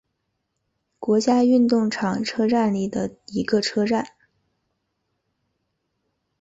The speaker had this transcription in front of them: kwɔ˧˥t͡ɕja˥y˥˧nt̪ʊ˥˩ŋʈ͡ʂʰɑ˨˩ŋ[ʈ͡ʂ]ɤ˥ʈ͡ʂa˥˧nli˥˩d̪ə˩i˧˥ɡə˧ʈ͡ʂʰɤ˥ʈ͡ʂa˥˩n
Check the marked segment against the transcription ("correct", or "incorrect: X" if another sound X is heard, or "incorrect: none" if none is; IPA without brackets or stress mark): incorrect: ʈ͡ʂʰ